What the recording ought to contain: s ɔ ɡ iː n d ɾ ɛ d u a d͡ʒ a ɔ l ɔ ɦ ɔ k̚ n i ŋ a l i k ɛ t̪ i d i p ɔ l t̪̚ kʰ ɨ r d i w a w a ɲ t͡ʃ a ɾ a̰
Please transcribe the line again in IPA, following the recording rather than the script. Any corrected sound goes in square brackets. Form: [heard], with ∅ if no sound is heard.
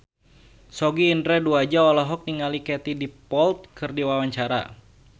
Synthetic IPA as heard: s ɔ ɡ iː n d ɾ ɛ d u a d͡ʒ a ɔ l ɔ ɦ ɔ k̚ n i ŋ a l i k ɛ t̪ i d i p ɔ l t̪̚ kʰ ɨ r d i w a w a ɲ t͡ʃ a ɾ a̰